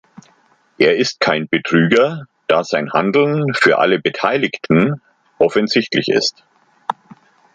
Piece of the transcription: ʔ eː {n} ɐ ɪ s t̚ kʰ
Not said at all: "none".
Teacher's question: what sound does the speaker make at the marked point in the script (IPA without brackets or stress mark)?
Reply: none